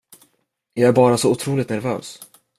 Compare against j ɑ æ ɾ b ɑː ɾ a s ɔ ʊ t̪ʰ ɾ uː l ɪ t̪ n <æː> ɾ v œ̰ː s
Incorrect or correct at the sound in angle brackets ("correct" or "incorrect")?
incorrect